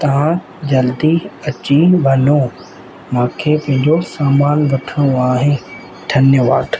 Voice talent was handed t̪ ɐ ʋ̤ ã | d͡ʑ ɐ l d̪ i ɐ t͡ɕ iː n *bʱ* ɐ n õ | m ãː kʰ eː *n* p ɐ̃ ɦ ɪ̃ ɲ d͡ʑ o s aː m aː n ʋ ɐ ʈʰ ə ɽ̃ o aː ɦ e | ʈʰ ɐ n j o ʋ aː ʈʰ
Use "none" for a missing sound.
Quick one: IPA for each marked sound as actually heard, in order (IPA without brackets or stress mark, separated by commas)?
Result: bʱ, none